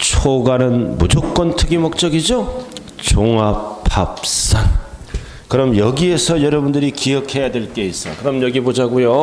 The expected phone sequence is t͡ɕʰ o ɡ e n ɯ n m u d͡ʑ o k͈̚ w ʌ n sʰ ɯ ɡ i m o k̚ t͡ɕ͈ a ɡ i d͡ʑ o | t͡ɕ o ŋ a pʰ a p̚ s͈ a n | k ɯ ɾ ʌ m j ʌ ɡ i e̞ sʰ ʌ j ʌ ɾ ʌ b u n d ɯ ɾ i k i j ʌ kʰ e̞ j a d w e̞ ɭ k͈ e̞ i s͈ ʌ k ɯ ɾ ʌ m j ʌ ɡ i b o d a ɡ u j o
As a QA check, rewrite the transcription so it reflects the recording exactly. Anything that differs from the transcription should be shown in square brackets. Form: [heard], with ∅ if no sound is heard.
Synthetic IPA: t͡ɕʰ o ɡ [a] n ɯ n m u d͡ʑ o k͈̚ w ʌ n [tʰ] ɯ ɡ i m o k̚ t͡ɕ͈ [ʌ] ɡ i d͡ʑ o | t͡ɕ o ŋ a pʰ a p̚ s͈ a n | k ɯ ɾ ʌ m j ʌ ɡ i e̞ sʰ ʌ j ʌ ɾ ʌ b u n d ɯ ɾ i k i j ʌ kʰ e̞ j a d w e̞ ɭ k͈ e̞ i s͈ ʌ k ɯ ɾ ʌ m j ʌ ɡ i b o [d͡ʑ] a ɡ u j o